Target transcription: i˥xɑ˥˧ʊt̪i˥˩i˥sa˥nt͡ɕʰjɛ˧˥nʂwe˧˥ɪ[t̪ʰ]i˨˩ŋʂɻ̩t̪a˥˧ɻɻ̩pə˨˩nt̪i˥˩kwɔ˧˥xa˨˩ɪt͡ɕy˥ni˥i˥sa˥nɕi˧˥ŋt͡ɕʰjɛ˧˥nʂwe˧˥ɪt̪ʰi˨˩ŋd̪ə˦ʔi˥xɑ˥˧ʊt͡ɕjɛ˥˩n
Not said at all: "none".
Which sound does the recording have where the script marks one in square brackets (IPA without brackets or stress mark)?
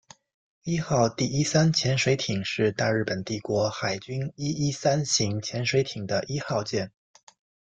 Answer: t̪ʰ